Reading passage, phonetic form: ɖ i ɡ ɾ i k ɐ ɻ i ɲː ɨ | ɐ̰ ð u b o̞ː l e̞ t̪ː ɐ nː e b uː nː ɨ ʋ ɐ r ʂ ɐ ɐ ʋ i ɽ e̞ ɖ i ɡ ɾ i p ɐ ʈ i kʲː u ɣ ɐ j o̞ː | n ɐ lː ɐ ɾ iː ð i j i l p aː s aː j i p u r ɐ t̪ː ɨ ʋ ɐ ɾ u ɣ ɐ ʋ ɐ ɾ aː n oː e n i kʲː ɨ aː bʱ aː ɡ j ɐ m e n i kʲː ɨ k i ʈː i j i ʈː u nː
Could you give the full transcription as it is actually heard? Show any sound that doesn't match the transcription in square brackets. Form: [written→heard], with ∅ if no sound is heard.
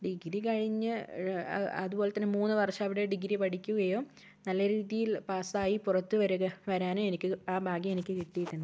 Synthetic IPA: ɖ i ɡ ɾ i k ɐ ɻ i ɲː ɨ | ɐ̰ ð u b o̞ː l e̞ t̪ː ɐ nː e [b→m] uː nː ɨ ʋ ɐ r ʂ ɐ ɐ ʋ i ɽ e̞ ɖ i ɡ ɾ i p ɐ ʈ i kʲː u ɣ ɐ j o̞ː | n ɐ lː ɐ ɾ iː ð i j i l p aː s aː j i p u r ɐ t̪ː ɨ ʋ ɐ ɾ u ɣ ɐ ʋ ɐ ɾ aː n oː e n i kʲː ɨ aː bʱ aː ɡ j ɐ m e n i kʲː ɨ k i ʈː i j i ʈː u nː